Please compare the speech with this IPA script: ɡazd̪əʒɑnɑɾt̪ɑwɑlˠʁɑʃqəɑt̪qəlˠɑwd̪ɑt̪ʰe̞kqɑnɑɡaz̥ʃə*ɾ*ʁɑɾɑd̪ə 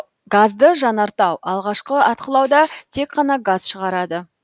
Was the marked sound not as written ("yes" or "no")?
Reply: yes